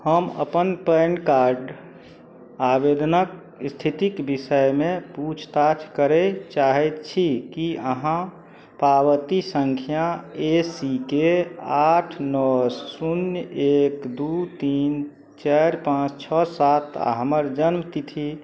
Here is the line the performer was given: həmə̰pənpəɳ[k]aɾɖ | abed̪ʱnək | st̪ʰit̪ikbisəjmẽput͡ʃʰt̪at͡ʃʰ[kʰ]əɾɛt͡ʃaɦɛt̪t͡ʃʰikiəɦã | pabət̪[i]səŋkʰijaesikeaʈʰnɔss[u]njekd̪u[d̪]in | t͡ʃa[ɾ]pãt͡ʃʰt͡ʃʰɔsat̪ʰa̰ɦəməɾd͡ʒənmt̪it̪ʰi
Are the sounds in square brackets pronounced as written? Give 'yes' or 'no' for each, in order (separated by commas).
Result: yes, no, yes, yes, no, yes